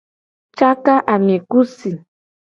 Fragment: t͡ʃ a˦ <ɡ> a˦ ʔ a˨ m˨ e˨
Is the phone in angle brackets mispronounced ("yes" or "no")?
yes